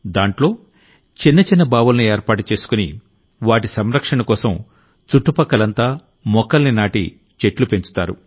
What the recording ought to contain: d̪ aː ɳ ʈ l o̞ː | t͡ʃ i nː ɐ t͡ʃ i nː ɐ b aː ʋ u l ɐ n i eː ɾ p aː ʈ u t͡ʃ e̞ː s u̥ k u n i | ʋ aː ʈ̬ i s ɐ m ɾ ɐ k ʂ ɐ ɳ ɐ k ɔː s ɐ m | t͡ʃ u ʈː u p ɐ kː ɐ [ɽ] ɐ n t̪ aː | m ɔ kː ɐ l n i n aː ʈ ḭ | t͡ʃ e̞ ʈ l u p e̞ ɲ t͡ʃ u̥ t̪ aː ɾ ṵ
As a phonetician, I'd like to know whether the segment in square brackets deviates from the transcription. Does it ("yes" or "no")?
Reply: yes